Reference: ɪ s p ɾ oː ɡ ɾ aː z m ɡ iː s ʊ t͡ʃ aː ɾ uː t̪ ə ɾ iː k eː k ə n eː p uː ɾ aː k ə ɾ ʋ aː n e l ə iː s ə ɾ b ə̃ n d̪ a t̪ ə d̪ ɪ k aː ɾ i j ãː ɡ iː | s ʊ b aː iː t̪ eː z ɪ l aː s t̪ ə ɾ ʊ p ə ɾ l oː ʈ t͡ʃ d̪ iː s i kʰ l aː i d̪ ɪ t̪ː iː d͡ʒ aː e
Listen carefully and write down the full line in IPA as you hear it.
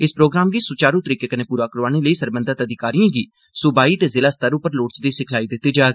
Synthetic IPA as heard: ɪ s p ɾ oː ɡ ɾ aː m ɡ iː s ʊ t͡ʃ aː ɾ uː t̪ ə ɾ iː k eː k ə n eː p uː ɾ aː k ə ɾ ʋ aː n e l ə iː s ə ɾ b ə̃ n d̪ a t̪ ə d̪ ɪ k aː ɾ i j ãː ɡ iː | s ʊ b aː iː t̪ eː z ɪ l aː s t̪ ə ɾ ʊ p ə ɾ l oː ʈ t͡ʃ d̪ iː s ɪ kʰ l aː i d̪ ɪ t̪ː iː d͡ʒ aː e